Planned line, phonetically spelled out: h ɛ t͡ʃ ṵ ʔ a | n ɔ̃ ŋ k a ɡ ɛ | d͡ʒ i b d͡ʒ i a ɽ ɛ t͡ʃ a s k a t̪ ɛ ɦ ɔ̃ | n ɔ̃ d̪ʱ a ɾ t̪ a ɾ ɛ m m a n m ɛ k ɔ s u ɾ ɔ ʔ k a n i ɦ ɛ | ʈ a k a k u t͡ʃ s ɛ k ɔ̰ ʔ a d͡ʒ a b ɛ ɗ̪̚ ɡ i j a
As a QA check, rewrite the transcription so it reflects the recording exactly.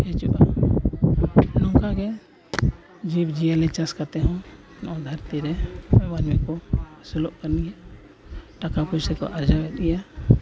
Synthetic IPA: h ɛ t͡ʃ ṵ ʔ a | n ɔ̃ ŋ k a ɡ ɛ | d͡ʒ i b d͡ʒ i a l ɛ t͡ʃ a s k a t̪ ɛ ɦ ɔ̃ | n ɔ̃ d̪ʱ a ɾ t̪ i ɾ ɛ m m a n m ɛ k ɔ s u l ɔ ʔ k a n i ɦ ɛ | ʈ a k a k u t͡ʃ s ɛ k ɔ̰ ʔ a d͡ʒ a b ɛ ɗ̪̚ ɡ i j a